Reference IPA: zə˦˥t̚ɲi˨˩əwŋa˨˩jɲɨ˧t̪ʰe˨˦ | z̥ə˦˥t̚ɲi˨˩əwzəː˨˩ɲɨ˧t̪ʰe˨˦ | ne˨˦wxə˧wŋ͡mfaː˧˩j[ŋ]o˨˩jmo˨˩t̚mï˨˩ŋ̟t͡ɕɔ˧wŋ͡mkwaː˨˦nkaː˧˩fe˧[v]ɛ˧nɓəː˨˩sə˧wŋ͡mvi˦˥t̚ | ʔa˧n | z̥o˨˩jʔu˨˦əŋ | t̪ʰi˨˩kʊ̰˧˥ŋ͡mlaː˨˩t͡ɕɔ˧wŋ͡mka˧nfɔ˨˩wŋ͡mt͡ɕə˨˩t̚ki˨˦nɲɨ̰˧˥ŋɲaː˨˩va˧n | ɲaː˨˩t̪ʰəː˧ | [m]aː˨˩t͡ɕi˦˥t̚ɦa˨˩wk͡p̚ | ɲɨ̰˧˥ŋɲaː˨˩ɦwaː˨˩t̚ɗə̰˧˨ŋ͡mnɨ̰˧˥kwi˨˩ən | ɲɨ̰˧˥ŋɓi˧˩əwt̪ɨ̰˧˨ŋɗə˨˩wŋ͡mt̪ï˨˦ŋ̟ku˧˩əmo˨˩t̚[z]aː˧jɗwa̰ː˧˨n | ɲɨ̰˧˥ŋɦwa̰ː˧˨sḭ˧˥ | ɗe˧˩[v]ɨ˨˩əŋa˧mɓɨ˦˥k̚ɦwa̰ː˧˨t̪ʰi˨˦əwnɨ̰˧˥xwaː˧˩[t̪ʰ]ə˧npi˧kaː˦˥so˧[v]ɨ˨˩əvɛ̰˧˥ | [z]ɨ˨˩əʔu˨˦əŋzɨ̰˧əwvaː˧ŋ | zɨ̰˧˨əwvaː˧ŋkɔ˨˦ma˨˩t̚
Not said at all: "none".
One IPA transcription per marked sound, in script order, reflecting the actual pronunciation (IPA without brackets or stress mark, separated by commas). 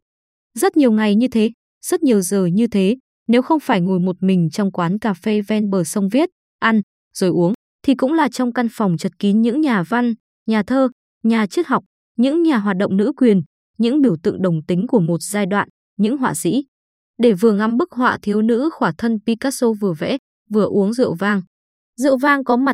ŋ, v, ɲ, z, v, t̪ʰ, v, v